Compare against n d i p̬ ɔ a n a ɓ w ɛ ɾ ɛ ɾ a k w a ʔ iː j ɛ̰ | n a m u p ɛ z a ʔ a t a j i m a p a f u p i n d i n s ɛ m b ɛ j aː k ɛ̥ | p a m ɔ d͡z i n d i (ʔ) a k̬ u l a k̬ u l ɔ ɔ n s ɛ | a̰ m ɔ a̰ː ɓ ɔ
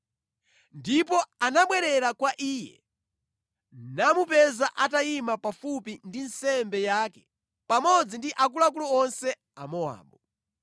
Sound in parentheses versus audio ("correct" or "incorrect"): correct